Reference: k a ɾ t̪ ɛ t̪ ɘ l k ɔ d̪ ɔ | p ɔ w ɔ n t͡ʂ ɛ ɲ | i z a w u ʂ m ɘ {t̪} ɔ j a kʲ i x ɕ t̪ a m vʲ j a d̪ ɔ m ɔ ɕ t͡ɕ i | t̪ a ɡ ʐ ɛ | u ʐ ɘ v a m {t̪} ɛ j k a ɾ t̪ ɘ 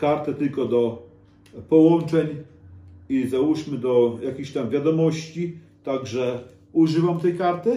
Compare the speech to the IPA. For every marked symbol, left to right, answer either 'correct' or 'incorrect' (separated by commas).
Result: incorrect, correct